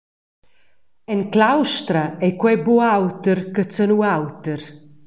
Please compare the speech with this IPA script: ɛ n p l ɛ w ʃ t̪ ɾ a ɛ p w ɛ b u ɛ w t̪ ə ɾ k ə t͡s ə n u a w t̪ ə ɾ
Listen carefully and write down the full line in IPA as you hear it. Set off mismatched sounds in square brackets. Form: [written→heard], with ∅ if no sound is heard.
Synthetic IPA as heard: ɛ n [p→k] l [ɛ→a] w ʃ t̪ ɾ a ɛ [p→k] w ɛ b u [ɛ→a] w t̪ ə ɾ k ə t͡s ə n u a w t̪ ə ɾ